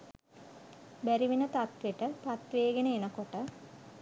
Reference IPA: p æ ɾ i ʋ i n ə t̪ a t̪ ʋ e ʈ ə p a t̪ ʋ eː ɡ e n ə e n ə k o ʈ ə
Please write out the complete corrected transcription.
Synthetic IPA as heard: b æ ɾ i ʋ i n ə t̪ a t̪ ʋ e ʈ ə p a t̪ ʋ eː ɡ e n ə e n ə k o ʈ ə